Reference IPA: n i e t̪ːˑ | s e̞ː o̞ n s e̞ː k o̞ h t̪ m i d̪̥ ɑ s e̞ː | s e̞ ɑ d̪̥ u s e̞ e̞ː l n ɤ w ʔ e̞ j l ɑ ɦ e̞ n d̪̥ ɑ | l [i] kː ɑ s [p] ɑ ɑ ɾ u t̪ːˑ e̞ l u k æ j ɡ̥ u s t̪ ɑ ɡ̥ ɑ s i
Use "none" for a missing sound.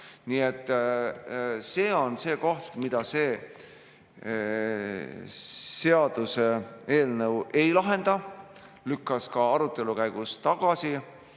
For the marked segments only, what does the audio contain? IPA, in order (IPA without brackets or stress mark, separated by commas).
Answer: y, k